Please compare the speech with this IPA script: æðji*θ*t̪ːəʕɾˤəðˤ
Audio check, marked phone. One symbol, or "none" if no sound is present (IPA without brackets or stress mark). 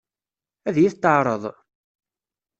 θ